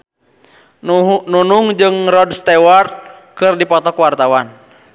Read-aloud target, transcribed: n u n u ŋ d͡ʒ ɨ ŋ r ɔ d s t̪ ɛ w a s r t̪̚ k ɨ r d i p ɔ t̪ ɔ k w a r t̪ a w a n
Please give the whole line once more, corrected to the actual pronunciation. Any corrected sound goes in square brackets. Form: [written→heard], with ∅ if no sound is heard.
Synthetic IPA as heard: n u n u ŋ d͡ʒ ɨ ŋ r ɔ d s t̪ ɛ w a [s→∅] r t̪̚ k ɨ r d i p ɔ t̪ ɔ k w a r t̪ a w a n